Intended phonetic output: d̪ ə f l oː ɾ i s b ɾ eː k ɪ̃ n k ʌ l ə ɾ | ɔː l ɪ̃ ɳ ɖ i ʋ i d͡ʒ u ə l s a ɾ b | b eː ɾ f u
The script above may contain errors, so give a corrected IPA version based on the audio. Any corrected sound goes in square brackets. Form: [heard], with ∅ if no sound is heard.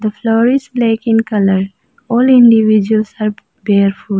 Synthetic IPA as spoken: d̪ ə f l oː ɾ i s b [l] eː k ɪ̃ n k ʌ l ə ɾ | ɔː l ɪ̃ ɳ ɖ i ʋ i d͡ʒ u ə l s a ɾ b | b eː ɾ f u